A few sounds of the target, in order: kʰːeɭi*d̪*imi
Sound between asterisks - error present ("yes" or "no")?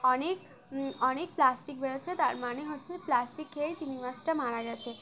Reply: yes